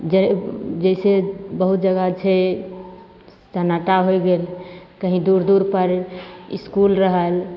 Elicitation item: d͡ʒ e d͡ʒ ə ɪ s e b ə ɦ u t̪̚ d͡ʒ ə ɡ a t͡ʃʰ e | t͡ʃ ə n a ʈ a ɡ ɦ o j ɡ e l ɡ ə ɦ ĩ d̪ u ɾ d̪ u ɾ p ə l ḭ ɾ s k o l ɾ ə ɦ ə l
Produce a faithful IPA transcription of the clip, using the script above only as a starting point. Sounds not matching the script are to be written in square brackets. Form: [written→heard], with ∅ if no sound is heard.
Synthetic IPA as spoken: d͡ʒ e d͡ʒ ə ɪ s e b ə ɦ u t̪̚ d͡ʒ ə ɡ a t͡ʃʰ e | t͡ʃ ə n a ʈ a [ɡ→∅] ɦ o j ɡ e l [ɡ→k] ə ɦ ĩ d̪ u ɾ d̪ u ɾ p ə [l→ɾ] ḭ [ɾ→∅] s k [o→u] l ɾ ə ɦ ə l

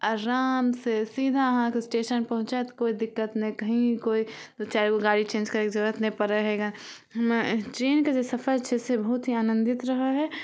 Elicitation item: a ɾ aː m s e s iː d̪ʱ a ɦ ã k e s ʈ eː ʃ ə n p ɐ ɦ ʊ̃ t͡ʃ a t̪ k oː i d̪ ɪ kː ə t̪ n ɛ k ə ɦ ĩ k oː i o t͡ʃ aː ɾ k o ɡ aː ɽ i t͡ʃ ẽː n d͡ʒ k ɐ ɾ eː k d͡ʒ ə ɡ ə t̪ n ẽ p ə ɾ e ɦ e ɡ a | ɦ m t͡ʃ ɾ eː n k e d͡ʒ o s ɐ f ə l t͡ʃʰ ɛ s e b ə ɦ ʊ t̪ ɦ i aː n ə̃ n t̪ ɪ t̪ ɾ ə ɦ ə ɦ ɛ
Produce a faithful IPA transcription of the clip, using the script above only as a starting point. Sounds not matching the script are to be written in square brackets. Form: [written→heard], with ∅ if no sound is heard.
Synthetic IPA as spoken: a ɾ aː m s e s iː d̪ʱ a ɦ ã k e s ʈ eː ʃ ə n p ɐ ɦ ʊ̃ t͡ʃ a t̪ k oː i d̪ ɪ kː ə t̪ n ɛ k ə ɦ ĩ k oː i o t͡ʃ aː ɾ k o ɡ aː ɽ i t͡ʃ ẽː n d͡ʒ k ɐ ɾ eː k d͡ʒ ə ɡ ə t̪ n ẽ p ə ɾ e ɦ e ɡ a | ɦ m t͡ʃ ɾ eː n k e d͡ʒ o s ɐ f ə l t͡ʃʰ ɛ s e b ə ɦ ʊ t̪ ɦ i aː n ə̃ n [t̪→d̪] ɪ t̪ ɾ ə ɦ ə ɦ ɛ

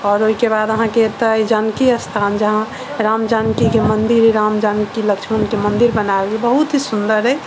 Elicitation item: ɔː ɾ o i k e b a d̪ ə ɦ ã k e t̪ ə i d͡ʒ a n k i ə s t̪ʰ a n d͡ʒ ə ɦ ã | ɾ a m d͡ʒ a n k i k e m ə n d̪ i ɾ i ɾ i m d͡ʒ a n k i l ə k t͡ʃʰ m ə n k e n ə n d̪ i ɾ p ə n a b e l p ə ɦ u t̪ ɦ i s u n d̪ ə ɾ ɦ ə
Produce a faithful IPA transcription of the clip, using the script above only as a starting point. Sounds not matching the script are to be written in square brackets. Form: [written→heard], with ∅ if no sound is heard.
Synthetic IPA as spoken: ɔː ɾ o i k e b a d̪ ə ɦ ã k e t̪ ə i d͡ʒ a n k i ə s t̪ʰ a n d͡ʒ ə ɦ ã | ɾ a m d͡ʒ a n k i k e m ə n d̪ i ɾ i ɾ [i→a] m d͡ʒ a n k i l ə k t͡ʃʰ m ə n k e [n→m] ə n d̪ i ɾ [p→b] ə n a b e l [p→b] ə ɦ u t̪ ɦ i s u n d̪ ə ɾ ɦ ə

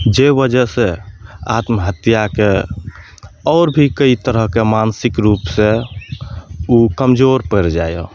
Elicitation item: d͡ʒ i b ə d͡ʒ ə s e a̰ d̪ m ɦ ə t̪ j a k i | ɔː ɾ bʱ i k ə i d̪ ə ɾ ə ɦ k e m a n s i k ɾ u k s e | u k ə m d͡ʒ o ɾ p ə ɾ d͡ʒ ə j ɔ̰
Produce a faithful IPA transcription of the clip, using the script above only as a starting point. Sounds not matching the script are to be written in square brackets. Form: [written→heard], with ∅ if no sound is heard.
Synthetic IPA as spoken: d͡ʒ [i→e] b ə d͡ʒ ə s e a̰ [d̪→t̪] m ɦ ə t̪ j a k [i→e] | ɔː ɾ bʱ i k ə i [d̪→t̪] ə ɾ ə ɦ k e m a n s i k ɾ u [k→p] s e | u k ə m d͡ʒ o ɾ p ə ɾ d͡ʒ [ə→a] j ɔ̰

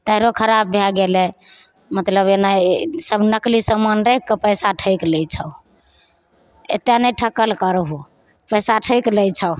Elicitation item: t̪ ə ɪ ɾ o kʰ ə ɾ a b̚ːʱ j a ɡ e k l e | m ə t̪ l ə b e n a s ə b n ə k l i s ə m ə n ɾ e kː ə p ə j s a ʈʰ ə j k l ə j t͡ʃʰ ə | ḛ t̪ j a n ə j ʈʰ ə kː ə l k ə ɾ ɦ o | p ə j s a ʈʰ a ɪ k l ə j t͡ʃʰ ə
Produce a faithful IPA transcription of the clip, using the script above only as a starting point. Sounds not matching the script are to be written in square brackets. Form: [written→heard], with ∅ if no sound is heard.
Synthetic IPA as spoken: t̪ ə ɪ ɾ o kʰ ə ɾ a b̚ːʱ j a ɡ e [k→∅] l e | m ə t̪ l ə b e n a s ə b n ə k l i s ə m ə n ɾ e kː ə p ə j s a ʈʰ ə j k l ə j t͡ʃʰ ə | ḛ t̪ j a n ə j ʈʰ ə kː ə l k ə ɾ ɦ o | p ə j s a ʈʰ [a→ə] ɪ k l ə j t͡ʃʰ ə

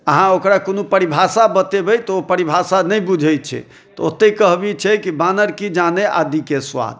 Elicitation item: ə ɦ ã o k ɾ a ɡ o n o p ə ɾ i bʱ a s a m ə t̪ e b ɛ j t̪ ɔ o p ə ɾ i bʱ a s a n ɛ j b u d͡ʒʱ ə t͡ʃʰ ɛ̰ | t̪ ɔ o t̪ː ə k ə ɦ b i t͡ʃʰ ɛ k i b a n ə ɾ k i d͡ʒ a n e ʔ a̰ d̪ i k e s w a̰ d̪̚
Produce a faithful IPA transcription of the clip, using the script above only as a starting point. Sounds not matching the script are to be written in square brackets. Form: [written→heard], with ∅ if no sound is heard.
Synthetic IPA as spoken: ə ɦ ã o k ɾ a [ɡ→k] o n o p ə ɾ i bʱ a s a [m→b] ə t̪ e b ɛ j t̪ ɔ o p ə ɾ i bʱ a s a n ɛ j b u d͡ʒʱ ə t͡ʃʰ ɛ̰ | t̪ ɔ o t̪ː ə k ə ɦ b i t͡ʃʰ ɛ k i b a n ə ɾ k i d͡ʒ a n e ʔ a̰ d̪ i k e s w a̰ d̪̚

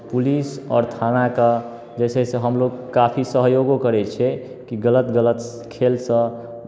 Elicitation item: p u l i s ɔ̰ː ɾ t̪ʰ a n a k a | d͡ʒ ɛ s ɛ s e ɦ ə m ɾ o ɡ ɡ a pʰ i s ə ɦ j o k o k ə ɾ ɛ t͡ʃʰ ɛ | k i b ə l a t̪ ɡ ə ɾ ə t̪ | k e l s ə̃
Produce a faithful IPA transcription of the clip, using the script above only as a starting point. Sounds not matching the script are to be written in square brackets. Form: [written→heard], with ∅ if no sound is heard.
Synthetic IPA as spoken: p u l i s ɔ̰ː ɾ t̪ʰ a n a k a | d͡ʒ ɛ s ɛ s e ɦ ə m [ɾ→l] o ɡ [ɡ→k] a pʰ i s ə ɦ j o [k→ɡ] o k ə ɾ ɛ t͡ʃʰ ɛ | k i [b→ɡ] ə l [a→ə] t̪ ɡ ə [ɾ→l] ə t̪ | [k→kʰ] e l s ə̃

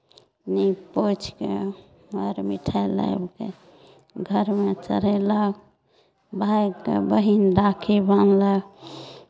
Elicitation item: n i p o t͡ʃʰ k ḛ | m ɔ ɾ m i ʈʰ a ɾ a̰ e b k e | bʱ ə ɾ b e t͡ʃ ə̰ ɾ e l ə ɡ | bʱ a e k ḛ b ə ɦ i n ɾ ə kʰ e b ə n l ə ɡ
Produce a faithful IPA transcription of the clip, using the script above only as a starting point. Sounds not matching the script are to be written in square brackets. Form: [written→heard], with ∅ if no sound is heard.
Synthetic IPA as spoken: n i p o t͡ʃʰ k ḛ | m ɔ ɾ m i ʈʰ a [ɾ→l] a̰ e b k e | [bʱ→ɡʱ] ə ɾ [b→m] e t͡ʃ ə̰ ɾ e l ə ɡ | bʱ a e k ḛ b ə ɦ i n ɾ [ə→a] kʰ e b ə n l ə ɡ

